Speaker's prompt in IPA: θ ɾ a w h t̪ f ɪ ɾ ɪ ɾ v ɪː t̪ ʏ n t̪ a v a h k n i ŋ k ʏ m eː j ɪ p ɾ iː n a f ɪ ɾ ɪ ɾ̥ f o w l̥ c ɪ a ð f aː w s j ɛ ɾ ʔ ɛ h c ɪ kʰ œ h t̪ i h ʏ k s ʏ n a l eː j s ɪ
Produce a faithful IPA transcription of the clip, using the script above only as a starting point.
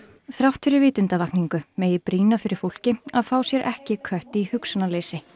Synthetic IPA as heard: θ ɾ a w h t̪ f ɪ ɾ ɪ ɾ v ɪː t̪ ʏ n t̪ a v a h k n i ŋ k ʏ m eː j ɪ p ɾ iː n a f ɪ ɾ ɪ ɾ̥ f o w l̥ c ɪ a ð f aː w s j ɛ ɾ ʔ ɛ h c ɪ kʰ œ h t̪ i h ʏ k s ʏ n a l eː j s ɪ